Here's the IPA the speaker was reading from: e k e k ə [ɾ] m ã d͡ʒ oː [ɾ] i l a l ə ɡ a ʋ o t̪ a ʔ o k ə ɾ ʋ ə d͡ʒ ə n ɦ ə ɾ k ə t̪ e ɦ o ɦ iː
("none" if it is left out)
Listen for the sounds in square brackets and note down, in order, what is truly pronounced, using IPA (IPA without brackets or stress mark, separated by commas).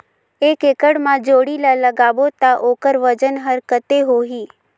ɽ, ɽ